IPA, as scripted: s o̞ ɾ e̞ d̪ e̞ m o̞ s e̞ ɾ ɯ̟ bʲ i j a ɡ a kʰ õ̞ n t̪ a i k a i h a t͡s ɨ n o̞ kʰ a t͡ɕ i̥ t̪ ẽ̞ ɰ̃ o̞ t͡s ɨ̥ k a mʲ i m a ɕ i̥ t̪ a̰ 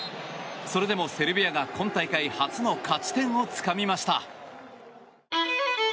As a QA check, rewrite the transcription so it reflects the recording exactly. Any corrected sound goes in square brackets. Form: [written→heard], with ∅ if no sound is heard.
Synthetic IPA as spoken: s o̞ ɾ e̞ d̪ e̞ m o̞ s e̞ ɾ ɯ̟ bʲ i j a ɡ a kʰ õ̞ n t̪ a i k a i h a t͡s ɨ n o̞ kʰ a t͡ɕ i̥ t̪ ẽ̞ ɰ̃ o̞ t͡s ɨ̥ k a mʲ i m a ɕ i̥ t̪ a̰